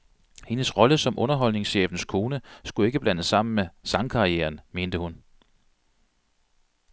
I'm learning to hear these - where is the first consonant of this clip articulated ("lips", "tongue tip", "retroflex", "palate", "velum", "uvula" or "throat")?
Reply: throat